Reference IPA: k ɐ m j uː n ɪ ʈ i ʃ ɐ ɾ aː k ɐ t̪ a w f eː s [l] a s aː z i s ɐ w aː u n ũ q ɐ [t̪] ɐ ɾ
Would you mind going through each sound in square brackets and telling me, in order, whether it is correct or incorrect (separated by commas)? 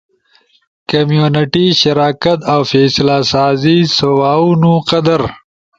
correct, incorrect